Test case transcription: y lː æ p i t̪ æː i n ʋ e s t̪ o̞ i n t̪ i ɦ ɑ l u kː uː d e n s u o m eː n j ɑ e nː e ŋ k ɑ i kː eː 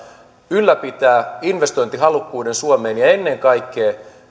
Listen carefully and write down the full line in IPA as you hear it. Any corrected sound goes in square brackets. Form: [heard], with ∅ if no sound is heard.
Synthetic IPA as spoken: y lː æ p i t̪ æː i n ʋ e s t̪ o̞ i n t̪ i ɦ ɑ l u kː uː d e n s u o m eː n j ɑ e nː e ŋ k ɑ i kː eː